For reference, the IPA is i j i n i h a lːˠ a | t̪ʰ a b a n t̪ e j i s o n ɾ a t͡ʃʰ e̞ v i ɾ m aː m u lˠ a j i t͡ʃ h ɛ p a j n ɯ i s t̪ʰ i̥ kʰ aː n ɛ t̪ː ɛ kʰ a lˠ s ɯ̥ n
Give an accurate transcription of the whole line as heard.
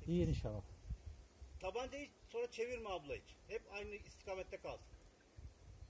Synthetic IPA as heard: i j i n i ʃ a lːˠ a | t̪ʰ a b a n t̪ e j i s o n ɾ a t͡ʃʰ e̞ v i ɾ m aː b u lˠ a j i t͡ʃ h ɛ p a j n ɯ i s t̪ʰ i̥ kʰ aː m ɛ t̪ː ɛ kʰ a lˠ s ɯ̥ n